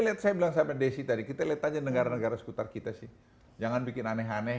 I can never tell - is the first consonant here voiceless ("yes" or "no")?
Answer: no